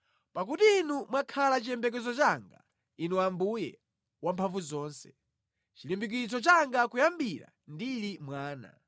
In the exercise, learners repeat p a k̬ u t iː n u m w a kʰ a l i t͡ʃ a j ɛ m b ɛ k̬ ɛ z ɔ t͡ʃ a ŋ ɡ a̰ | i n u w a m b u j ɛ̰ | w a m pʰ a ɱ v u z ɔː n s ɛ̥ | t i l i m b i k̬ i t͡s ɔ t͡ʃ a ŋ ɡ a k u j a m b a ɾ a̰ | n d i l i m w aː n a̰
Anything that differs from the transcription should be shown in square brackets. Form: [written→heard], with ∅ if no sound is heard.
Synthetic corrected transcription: p a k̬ u t iː n u m w a kʰ a l [i→a] t͡ʃ [a→i] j ɛ m b ɛ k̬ ɛ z ɔ t͡ʃ a ŋ ɡ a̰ | i n u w a m b u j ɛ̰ | w a m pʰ a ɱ v u z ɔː n s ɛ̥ | [t→t͡ʃ] i l i m b i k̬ i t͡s ɔ t͡ʃ a ŋ ɡ a k u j a m b [a→i] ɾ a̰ | n d i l i m w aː n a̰